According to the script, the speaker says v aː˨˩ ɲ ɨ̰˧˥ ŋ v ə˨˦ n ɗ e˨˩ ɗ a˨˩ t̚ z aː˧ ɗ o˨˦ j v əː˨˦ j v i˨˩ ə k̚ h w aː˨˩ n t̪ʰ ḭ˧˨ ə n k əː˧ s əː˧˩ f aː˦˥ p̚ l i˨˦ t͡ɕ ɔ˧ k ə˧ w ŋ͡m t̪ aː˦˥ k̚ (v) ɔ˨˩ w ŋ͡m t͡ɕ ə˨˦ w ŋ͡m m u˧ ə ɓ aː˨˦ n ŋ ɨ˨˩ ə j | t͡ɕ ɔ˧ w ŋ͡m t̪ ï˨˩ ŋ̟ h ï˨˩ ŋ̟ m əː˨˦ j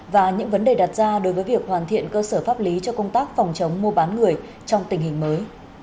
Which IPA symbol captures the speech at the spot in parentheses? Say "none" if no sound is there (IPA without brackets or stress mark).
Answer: f